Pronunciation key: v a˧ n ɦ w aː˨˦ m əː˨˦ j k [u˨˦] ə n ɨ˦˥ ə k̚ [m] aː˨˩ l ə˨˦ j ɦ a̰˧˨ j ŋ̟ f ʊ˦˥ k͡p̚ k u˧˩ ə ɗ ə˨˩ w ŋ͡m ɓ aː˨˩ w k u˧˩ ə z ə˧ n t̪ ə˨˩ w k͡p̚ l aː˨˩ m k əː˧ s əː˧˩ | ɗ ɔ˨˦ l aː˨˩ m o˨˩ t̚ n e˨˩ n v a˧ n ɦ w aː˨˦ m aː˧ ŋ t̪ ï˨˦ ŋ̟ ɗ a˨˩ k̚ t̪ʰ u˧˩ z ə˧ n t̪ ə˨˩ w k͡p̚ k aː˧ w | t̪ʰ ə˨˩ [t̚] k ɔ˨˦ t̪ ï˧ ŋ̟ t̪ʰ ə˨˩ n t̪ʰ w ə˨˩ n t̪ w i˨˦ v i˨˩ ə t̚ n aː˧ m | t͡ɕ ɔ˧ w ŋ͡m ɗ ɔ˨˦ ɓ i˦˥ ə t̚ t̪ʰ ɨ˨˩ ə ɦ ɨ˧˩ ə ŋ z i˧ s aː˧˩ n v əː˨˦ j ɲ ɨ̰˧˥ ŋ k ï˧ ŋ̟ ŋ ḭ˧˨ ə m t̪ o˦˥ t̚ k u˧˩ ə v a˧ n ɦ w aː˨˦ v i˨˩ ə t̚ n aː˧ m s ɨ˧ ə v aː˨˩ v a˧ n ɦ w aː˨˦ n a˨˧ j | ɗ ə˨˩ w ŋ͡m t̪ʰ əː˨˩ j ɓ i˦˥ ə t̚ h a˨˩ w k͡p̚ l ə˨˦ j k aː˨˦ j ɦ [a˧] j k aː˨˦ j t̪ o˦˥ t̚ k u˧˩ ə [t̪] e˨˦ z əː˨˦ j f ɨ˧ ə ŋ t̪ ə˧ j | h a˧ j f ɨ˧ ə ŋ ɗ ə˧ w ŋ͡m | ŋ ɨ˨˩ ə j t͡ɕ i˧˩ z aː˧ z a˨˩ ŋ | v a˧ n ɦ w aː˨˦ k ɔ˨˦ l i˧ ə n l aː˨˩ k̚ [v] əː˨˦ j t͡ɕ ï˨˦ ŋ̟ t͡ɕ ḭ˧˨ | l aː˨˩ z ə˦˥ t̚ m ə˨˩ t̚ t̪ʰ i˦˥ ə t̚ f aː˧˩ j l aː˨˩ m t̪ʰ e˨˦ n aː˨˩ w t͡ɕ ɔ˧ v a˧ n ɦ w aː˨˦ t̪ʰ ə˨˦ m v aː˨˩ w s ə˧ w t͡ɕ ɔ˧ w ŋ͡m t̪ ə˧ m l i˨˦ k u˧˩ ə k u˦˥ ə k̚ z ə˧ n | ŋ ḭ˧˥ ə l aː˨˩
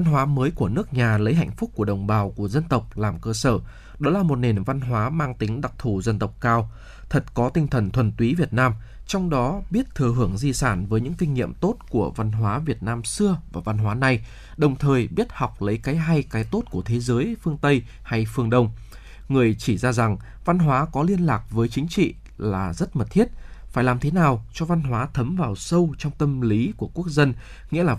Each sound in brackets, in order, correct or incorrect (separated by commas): incorrect, incorrect, correct, correct, incorrect, correct